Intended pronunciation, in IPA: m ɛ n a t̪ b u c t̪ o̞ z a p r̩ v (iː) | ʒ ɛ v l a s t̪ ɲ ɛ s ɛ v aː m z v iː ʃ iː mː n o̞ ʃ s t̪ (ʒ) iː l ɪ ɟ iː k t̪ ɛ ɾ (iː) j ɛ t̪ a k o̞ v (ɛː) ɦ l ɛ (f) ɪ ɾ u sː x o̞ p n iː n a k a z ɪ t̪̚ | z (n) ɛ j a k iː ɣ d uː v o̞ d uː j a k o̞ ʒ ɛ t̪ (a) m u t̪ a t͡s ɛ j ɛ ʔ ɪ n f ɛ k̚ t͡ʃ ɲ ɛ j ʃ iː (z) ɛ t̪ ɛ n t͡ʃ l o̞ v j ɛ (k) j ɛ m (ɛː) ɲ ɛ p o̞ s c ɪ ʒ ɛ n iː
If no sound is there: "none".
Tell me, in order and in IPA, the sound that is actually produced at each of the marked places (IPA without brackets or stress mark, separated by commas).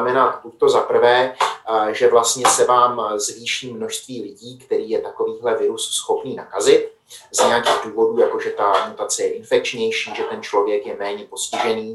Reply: ɛː, v, iː, iː, v, ɲ, a, ʒ, k, ɛː